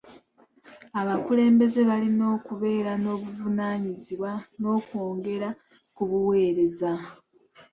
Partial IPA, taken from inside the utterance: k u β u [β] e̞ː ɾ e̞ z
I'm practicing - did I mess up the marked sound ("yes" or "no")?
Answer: yes